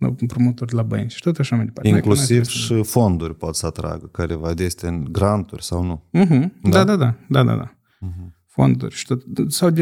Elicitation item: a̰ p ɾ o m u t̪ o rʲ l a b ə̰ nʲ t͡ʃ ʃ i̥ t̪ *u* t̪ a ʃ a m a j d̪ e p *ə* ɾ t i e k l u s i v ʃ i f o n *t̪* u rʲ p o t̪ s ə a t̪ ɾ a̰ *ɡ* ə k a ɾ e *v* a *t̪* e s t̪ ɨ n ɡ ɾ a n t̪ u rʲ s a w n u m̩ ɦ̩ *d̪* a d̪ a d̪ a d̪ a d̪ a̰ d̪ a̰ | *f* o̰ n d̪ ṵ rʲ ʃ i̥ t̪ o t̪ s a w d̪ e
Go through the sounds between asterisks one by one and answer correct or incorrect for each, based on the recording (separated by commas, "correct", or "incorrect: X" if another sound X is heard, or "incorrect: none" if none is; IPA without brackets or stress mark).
incorrect: o, incorrect: a, incorrect: d̪, correct, correct, incorrect: d̪, correct, correct